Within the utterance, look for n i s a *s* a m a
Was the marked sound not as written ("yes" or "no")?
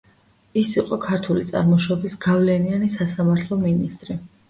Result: no